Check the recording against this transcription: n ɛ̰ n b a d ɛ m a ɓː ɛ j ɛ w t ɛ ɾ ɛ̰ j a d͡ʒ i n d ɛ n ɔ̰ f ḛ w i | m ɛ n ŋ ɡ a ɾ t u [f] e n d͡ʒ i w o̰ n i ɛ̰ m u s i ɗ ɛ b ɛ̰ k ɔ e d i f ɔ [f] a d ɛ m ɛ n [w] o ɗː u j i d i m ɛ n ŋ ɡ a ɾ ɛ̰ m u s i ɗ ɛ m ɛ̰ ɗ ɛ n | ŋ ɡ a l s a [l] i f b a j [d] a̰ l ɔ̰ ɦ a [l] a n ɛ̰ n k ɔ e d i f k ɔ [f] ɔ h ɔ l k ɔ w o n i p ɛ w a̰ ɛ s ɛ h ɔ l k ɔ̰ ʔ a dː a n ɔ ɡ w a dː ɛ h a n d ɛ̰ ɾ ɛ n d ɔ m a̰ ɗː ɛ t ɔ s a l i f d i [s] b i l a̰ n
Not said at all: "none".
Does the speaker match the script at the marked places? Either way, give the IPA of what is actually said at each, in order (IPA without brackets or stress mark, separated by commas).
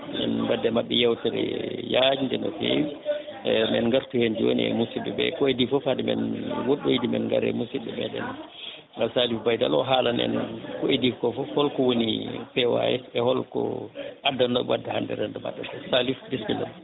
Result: h, f, w, l, d, l, f, s